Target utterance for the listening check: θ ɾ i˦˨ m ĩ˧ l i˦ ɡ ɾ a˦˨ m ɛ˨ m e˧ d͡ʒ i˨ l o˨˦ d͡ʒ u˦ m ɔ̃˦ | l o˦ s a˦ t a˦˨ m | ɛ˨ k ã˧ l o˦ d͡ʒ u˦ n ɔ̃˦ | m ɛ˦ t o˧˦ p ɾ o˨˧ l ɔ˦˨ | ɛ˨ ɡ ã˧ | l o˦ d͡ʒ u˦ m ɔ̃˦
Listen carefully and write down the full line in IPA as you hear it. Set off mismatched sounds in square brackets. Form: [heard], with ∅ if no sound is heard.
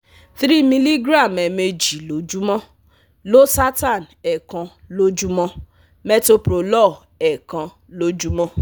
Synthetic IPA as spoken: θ ɾ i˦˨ m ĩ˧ l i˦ ɡ ɾ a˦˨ m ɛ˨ m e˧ d͡ʒ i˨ l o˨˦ d͡ʒ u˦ m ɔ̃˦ | l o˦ s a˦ t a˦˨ [n] | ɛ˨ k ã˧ l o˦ d͡ʒ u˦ [m] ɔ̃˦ | m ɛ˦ t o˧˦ p ɾ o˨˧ l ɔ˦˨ | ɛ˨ [k] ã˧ | l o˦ d͡ʒ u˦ m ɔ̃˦